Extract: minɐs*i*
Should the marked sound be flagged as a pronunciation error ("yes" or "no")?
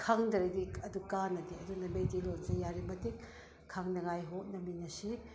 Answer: no